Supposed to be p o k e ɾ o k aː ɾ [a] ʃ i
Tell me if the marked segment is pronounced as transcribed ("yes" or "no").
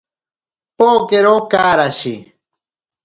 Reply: yes